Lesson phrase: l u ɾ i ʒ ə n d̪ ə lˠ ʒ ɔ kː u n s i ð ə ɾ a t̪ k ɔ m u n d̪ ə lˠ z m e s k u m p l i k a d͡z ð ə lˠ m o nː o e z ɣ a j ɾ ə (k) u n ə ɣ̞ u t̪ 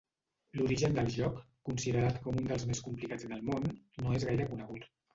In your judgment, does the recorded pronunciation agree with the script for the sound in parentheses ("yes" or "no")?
yes